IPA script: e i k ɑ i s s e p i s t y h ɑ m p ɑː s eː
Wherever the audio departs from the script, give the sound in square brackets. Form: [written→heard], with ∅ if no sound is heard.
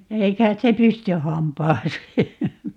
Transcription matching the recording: e i k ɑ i [s→t] s e p [i→y] s t y h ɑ m p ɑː s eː

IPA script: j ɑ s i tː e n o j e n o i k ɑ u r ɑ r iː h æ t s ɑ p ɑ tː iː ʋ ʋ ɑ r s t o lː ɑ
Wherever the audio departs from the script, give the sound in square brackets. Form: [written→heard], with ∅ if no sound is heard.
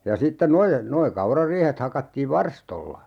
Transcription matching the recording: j ɑ s i tː e n o j e n o i k ɑ u r ɑ r iː h [æ→e] t [s→h] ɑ [p→k] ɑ tː iː ʋ ʋ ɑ r s t o lː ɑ

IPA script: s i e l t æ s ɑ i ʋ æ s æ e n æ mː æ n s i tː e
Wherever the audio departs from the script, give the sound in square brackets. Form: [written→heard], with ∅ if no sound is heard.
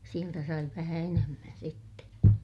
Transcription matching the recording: s i e l t æ s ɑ i ʋ æ [s→h] æ e n [æ→e] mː æ n s i tː e

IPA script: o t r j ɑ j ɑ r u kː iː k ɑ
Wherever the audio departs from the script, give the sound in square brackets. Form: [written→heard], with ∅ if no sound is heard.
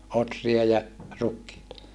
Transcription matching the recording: o t r [j→i] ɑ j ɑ r u kː iː [k→t] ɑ

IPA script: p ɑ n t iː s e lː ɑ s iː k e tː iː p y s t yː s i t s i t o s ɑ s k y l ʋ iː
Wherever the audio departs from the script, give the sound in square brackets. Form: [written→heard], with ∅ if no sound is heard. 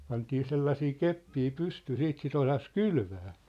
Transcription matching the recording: p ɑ n t iː s e lː ɑ s iː k e [tː→pː] iː p y s t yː s [i→iː] t s i t o s ɑ s k y l ʋ [iː→æː]

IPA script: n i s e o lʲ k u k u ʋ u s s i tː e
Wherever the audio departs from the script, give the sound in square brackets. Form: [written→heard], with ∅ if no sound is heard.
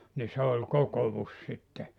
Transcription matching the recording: n i s e o lʲ k [u→o] k [u→o] ʋ u s s i tː e

